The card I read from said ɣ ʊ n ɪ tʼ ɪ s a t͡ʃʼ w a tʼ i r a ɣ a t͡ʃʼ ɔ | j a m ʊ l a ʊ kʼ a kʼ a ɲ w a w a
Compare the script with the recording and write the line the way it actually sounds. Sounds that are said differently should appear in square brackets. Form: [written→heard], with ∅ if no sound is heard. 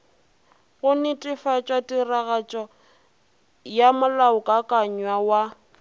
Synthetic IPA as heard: ɣ ʊ n ɪ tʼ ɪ [s→f] a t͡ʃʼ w a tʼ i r a ɣ a t͡ʃʼ ɔ | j a m ʊ l a ʊ kʼ a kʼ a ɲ w a w a